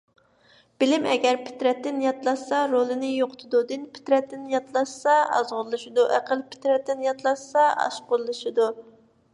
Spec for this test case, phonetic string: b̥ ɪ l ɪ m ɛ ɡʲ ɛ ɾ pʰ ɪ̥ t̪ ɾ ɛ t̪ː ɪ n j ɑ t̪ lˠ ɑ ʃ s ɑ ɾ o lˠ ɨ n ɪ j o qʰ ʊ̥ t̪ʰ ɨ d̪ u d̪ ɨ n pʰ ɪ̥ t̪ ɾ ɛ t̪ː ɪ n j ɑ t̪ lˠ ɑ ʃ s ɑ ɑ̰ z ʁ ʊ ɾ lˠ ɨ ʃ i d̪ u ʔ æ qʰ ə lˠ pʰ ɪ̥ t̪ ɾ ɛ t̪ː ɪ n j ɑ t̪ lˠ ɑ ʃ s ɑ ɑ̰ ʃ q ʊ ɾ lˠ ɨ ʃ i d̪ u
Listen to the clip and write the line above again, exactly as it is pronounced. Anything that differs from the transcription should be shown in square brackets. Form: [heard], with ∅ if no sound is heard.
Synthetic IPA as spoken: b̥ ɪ l ɪ m ɛ ɡʲ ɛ ɾ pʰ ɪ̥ t̪ ɾ ɛ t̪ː ɪ n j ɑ t̪ lˠ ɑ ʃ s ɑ ɾ o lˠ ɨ n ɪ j o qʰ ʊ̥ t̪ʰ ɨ d̪ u d̪ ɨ n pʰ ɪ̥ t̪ ɾ ɛ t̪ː ɪ n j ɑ t̪ lˠ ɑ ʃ s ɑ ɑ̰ z ʁ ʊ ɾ lˠ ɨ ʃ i d̪ u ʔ æ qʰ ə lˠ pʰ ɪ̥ t̪ ɾ ɛ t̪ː ɪ n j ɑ t̪ lˠ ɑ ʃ s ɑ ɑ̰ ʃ q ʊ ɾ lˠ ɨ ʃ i d̪ u